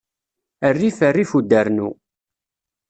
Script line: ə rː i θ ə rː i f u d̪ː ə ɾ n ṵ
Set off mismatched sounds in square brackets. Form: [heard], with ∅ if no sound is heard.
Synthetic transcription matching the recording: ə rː i [f] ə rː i f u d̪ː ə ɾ n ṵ